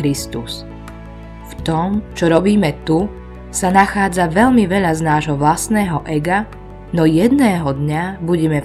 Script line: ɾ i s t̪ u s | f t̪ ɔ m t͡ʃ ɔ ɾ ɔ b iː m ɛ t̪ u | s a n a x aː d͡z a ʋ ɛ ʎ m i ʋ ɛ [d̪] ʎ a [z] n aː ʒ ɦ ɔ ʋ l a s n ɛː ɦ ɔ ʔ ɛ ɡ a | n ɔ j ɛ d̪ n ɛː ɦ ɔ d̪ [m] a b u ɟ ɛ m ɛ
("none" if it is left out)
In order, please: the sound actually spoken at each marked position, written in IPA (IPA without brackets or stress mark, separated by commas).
none, z, ɲ